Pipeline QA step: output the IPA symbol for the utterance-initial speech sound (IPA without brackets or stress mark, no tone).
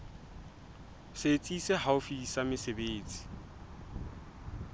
s